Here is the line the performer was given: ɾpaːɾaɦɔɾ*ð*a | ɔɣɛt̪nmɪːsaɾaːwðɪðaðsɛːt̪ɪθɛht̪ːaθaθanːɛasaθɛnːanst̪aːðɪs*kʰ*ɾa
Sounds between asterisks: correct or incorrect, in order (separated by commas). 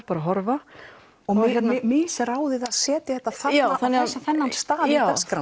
incorrect, incorrect